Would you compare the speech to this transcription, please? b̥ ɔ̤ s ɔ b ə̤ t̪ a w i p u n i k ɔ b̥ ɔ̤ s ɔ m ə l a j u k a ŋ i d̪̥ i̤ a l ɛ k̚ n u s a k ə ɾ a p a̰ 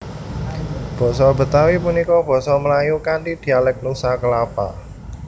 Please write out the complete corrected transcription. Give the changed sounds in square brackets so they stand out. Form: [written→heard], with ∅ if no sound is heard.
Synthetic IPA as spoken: b̥ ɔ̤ s ɔ b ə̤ t̪ a w i p u n i k ɔ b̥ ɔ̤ s ɔ m ə l a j u k a [ŋ→n] i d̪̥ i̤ a l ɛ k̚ n u s a k ə [ɾ→l] a p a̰